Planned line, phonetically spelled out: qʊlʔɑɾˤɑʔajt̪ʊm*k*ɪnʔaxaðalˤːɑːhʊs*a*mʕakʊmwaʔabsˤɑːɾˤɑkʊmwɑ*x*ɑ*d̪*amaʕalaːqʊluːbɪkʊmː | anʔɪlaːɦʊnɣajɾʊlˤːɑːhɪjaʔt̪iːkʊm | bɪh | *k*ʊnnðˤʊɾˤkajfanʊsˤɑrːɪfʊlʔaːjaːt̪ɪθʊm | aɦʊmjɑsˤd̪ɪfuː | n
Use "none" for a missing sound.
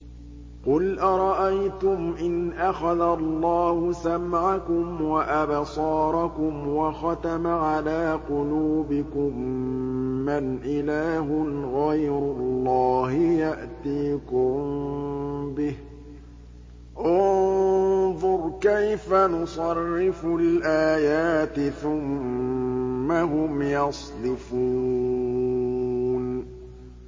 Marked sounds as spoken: ʔ, a, x, t̪, ʔ

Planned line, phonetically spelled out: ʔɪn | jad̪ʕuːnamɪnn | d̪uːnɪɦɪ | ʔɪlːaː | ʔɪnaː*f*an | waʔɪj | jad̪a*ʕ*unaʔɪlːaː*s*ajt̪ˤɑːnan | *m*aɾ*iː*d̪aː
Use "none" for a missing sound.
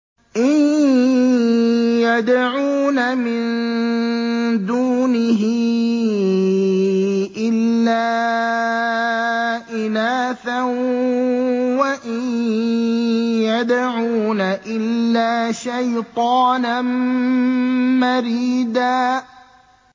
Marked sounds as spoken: θ, ʕ, ʃ, m, iː

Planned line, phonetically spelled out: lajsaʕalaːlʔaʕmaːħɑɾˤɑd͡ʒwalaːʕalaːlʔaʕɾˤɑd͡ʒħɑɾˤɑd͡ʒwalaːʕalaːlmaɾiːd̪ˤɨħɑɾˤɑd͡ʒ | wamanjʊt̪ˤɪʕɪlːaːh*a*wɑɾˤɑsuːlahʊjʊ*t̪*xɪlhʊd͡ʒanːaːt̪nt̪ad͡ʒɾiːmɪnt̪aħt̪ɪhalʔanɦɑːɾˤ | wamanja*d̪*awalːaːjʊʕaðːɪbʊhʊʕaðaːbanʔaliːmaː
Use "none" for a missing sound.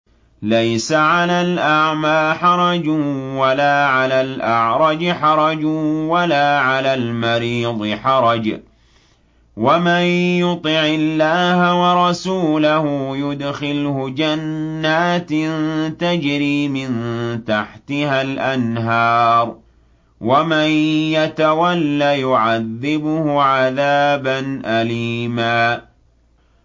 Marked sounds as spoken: a, d̪, t̪

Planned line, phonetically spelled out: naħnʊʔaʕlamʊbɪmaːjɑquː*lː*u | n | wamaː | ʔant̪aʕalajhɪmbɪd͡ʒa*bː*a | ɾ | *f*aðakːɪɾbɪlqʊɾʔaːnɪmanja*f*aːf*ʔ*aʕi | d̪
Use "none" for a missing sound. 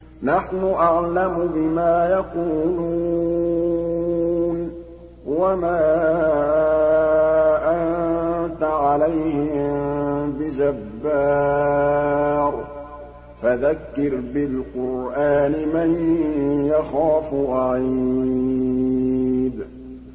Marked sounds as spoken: l, bː, f, x, ʔ

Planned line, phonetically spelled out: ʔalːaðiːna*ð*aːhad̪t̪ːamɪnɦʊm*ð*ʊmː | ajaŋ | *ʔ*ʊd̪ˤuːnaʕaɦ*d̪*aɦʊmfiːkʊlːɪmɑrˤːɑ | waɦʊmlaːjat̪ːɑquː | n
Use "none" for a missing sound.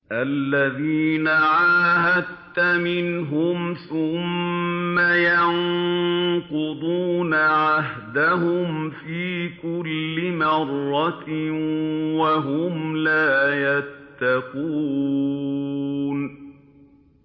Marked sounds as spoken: ʕ, θ, q, d̪

